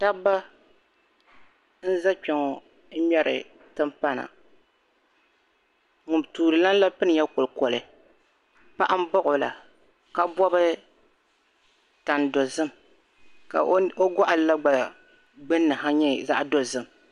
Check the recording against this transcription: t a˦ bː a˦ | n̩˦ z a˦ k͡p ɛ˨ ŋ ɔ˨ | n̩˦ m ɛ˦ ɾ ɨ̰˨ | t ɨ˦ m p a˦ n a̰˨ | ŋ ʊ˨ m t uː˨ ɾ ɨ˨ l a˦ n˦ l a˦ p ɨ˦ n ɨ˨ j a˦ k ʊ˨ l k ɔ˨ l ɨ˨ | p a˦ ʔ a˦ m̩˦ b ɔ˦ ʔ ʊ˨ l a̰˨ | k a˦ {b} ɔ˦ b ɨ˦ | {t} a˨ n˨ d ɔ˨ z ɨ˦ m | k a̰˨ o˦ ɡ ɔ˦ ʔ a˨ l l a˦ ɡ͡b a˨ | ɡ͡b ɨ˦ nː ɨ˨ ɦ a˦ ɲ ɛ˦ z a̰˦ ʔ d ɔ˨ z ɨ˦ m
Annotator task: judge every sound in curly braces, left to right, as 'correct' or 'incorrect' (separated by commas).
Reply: correct, correct